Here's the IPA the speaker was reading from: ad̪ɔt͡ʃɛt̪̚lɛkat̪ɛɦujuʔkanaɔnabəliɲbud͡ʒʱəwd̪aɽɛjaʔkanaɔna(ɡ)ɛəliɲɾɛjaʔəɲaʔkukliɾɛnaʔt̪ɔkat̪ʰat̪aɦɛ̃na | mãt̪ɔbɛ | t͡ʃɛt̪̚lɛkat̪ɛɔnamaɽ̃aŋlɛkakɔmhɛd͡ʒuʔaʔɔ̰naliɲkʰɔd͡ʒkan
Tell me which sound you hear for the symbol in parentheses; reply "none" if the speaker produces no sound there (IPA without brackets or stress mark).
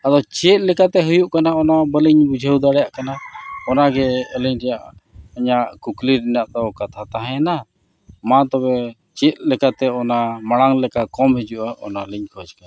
ɡ